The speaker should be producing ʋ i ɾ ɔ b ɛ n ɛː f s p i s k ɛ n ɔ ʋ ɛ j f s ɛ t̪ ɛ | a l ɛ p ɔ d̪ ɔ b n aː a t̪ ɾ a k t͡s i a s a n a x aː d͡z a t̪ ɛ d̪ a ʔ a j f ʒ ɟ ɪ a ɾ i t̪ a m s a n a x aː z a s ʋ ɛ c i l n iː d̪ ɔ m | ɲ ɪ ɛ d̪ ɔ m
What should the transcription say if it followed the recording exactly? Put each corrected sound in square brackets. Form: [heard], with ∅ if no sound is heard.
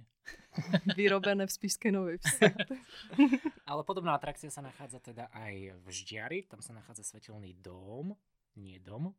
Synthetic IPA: ʋ i ɾ ɔ b ɛ n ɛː f s p i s k ɛ n ɔ ʋ ɛ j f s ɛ t̪ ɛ | a l ɛ p ɔ d̪ ɔ b n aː a t̪ ɾ a k t͡s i a s a n a x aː d͡z a t̪ ɛ d̪ a ʔ a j [v] ʒ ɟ ɪ a ɾ i t̪ a m s a n a x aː [d͡z] a s ʋ ɛ c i l n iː d̪ ɔ m | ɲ ɪ ɛ d̪ ɔ m